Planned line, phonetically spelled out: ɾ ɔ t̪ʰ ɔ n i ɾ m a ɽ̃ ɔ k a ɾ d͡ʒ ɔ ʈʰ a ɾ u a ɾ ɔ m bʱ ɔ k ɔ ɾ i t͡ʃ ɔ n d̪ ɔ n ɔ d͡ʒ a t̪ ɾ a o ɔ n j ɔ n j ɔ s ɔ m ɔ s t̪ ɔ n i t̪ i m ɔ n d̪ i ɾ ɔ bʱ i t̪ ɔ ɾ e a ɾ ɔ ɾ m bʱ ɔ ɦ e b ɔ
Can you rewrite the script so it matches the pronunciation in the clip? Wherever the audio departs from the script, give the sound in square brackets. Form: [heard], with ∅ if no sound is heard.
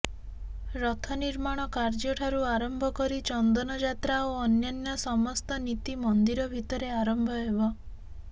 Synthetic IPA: ɾ ɔ t̪ʰ ɔ n i ɾ m a ɽ̃ ɔ k a ɾ d͡ʒ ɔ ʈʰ a ɾ u a ɾ ɔ m bʱ ɔ k ɔ ɾ i t͡ʃ ɔ n d̪ ɔ n ɔ d͡ʒ a t̪ ɾ a o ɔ n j ɔ n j ɔ s ɔ m ɔ s t̪ ɔ n i t̪ i m ɔ n d̪ i ɾ ɔ bʱ i t̪ ɔ ɾ e a ɾ ɔ [∅] m bʱ ɔ ɦ e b ɔ